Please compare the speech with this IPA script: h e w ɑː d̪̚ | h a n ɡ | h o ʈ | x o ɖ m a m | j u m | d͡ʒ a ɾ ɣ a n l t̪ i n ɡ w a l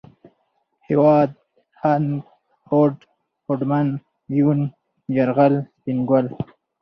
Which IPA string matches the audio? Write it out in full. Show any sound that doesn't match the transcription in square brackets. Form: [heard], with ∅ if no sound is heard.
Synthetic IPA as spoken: h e w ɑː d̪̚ | h a n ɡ | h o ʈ | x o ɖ m a [n] | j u [n] | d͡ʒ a ɾ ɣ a [∅] l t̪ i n ɡ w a l